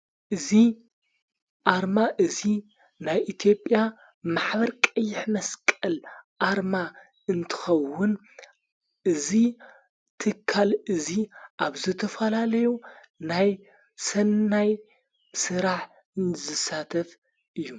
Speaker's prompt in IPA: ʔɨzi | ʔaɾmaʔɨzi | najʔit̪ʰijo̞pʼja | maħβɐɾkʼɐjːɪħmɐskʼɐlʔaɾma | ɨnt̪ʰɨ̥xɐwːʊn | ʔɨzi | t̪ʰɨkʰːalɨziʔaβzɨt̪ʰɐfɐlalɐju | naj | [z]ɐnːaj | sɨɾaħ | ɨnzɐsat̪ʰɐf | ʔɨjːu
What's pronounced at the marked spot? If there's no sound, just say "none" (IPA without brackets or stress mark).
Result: s